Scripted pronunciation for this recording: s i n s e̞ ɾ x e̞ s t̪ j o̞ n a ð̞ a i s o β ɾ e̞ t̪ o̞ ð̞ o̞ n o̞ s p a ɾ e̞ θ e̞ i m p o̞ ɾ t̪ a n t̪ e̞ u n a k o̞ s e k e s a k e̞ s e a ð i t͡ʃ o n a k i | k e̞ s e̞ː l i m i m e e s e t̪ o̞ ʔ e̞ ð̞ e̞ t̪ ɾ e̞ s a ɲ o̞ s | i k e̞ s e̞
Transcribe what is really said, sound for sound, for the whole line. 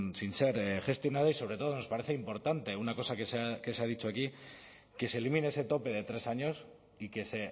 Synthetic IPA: s i n s e̞ ɾ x e̞ s t̪ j o̞ n a ð̞ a i s o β ɾ e̞ t̪ o̞ ð̞ o̞ n o̞ s p a ɾ e̞ θ e̞ i m p o̞ ɾ t̪ a n t̪ e̞ u n a k o̞ s a k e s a k e̞ s e a ð i t͡ʃ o a k i | k e̞ s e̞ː l i m i n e e s e t̪ o̞ p e̞ ð̞ e̞ t̪ ɾ e̞ s a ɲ o̞ s | i k e̞ s e̞